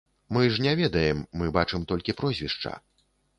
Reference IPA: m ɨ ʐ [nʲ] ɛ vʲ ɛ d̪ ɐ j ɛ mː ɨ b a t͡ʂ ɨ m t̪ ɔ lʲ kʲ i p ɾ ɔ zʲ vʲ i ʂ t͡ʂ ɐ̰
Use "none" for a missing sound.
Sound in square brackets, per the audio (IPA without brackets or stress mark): nʲ